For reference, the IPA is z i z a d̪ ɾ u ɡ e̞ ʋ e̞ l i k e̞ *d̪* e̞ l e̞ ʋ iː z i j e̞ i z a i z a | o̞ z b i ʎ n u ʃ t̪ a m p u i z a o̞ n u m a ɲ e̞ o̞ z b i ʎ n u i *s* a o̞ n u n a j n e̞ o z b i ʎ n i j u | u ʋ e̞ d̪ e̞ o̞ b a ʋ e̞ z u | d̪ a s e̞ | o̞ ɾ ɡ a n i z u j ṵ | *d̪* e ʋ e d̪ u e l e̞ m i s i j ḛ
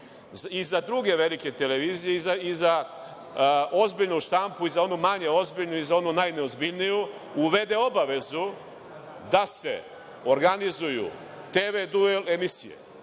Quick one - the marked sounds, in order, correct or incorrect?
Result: incorrect: t̪, incorrect: z, incorrect: t̪

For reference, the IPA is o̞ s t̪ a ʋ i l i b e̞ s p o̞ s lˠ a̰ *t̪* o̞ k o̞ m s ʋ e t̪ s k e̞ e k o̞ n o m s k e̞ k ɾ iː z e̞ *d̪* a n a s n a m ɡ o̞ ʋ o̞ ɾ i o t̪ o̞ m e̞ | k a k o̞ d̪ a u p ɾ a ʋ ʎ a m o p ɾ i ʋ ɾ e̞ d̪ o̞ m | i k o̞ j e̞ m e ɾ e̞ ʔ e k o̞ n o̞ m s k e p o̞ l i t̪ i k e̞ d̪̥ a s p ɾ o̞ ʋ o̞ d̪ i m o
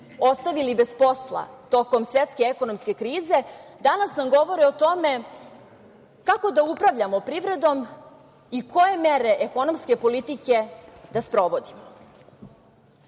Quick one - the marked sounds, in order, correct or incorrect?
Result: correct, correct

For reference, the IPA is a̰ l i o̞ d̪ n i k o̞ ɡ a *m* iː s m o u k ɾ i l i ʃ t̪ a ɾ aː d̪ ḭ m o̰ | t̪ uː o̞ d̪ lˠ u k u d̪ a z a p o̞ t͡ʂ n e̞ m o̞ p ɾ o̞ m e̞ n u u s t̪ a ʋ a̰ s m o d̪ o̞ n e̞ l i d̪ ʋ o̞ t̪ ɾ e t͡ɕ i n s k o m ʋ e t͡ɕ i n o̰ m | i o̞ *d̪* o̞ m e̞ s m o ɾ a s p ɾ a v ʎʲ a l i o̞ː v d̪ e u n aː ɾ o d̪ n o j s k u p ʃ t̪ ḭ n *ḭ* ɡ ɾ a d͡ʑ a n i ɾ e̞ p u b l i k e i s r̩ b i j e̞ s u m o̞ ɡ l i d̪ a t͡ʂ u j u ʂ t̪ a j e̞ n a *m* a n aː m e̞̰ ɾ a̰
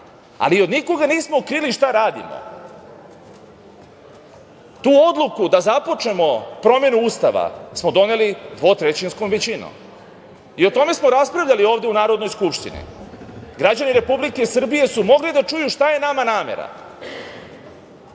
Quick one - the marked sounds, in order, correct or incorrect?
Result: incorrect: n, incorrect: t̪, correct, correct

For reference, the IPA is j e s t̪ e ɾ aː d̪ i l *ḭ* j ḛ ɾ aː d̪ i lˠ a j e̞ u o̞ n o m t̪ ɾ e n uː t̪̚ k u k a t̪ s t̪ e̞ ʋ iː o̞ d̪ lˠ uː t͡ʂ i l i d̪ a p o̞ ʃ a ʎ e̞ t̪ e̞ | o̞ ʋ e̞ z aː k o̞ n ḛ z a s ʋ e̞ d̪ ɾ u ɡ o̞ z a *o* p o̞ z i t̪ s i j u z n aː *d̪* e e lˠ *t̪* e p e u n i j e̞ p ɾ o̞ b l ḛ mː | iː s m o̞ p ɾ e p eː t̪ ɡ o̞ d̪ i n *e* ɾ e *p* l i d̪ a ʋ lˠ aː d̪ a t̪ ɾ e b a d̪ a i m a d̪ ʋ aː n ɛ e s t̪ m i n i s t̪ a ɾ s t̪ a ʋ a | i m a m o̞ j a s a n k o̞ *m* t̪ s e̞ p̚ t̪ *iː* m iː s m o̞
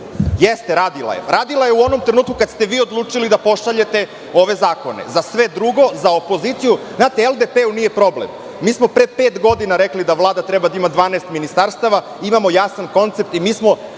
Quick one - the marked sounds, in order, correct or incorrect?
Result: incorrect: a̰, correct, incorrect: t̪, incorrect: d̪, incorrect: a, incorrect: k, incorrect: n, incorrect: i

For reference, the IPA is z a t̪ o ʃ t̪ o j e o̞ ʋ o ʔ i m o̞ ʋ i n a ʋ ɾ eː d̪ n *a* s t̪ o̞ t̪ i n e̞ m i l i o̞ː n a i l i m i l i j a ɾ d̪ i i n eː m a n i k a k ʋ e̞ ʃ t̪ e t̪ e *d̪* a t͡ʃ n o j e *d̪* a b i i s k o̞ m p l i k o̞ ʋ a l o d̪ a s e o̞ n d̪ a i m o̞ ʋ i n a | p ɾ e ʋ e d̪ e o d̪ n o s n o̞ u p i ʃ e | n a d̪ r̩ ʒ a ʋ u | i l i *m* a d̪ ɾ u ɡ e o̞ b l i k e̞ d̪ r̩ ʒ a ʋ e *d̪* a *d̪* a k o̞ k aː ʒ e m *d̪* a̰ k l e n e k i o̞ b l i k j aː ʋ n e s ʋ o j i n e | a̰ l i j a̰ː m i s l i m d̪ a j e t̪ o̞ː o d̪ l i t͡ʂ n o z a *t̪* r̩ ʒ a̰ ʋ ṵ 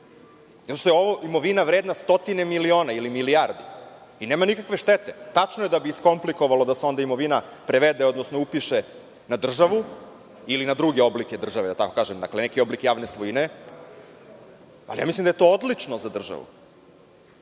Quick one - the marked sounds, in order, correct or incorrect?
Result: correct, incorrect: t̪, correct, incorrect: n, correct, incorrect: t̪, correct, incorrect: d̪

